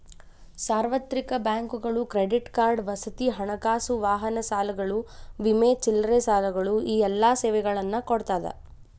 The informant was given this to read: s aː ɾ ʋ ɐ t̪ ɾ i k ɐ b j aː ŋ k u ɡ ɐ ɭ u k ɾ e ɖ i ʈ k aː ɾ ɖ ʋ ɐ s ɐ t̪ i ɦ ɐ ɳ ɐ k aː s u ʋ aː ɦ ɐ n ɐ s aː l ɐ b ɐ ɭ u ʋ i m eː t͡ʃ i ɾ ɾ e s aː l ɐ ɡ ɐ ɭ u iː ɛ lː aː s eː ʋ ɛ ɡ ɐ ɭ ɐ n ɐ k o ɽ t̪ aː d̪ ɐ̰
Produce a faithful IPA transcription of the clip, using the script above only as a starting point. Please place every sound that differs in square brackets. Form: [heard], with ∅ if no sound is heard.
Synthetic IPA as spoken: s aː ɾ ʋ ɐ t̪ ɾ i k ɐ b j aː ŋ k u ɡ ɐ ɭ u k ɾ e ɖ i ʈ k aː ɾ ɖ ʋ ɐ s ɐ t̪ i ɦ ɐ ɳ ɐ k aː s u ʋ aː ɦ ɐ n ɐ s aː l ɐ [ɡ] ɐ ɭ u ʋ i m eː t͡ʃ i [l] ɾ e s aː l ɐ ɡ ɐ ɭ u iː ɛ lː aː s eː ʋ ɛ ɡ ɐ ɭ ɐ [nː] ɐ k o ɽ t̪ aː d̪ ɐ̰